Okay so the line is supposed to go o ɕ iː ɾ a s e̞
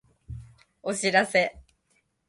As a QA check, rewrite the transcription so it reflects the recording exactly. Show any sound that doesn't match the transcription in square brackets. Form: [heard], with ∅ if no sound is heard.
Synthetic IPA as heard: o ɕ [i] ɾ a s e̞